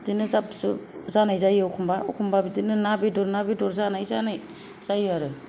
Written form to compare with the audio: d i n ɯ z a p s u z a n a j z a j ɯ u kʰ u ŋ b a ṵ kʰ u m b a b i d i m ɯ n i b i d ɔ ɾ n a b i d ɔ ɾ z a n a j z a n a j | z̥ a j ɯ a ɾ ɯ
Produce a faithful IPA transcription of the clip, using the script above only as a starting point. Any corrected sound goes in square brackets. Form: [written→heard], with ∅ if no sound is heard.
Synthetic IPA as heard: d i n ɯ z a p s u z a n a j z a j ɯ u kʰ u [ŋ→m] b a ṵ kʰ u m b a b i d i [m→n] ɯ n [i→a] b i d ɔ ɾ n a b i d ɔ ɾ z a n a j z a n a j | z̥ a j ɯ a ɾ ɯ